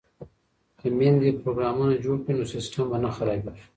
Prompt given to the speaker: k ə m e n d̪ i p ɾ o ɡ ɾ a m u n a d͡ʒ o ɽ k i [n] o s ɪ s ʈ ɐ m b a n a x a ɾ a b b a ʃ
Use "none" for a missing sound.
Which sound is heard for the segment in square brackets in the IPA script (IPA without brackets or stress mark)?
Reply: n